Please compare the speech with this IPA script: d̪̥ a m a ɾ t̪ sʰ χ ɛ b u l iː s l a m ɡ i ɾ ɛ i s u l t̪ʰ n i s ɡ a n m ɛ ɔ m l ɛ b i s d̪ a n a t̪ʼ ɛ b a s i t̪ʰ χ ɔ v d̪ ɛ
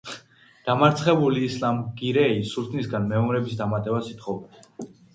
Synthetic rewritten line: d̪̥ a m a ɾ t̪ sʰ χ ɛ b u l iː s l a m ɡ i ɾ ɛ i s u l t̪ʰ n i s ɡ a n m ɛ ɔ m ɾ ɛ b i s d̪ a m a t̪ʼ ɛ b a s i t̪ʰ χ ɔ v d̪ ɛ